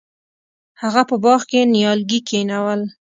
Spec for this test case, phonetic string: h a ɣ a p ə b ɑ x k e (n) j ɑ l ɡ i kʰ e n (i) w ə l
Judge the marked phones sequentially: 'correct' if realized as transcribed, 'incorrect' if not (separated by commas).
correct, incorrect